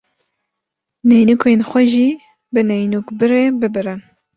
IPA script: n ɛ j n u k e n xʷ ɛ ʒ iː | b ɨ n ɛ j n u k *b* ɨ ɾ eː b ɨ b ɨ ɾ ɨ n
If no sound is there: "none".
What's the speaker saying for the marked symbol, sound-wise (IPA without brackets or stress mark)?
b